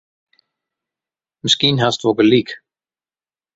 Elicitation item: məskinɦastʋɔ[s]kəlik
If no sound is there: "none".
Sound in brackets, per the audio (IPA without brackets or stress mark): none